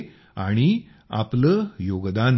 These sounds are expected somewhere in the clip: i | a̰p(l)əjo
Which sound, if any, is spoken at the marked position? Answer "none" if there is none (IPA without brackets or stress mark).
l